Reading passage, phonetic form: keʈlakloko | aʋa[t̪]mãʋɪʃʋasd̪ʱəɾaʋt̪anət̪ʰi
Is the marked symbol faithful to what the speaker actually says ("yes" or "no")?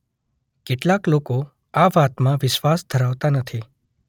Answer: yes